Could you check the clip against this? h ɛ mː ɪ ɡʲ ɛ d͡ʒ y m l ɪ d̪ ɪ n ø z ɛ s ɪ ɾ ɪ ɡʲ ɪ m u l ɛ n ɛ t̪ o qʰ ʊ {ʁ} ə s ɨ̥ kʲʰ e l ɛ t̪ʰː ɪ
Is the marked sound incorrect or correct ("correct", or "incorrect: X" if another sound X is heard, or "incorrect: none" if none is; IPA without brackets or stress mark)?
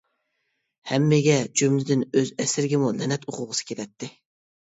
correct